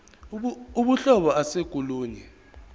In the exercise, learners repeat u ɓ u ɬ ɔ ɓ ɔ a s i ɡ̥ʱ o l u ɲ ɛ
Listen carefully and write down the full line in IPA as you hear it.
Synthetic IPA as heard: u ɓ u ɬ ɔ ɓ ɔ a s e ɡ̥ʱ u l uː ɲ ɛ